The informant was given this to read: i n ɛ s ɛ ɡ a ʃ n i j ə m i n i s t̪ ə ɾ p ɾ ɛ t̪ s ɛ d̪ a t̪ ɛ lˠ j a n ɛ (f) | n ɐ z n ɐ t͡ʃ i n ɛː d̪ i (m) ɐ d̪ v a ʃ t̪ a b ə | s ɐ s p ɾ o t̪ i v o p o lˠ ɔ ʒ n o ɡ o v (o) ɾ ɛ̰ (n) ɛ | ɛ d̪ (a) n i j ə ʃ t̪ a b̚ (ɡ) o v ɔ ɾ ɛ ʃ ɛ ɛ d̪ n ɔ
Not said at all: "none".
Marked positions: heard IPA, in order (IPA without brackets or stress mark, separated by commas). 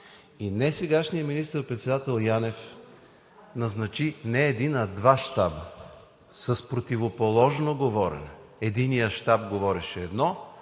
f, n, ɔ, n, i, ɡ